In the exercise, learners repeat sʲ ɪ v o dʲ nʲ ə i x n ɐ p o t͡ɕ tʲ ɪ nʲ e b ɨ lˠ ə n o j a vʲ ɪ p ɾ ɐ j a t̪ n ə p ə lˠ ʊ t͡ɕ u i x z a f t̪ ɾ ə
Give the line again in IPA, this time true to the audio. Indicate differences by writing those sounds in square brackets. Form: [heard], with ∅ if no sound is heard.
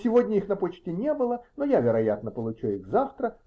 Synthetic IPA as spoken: sʲ ɪ v o dʲ nʲ ə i x n ɐ p o t͡ɕ tʲ ɪ nʲ e b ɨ lˠ ə n o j a vʲ ɪ [∅] ɾ ɐ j a t̪ n ə p ə lˠ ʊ t͡ɕ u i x z a f t̪ ɾ ə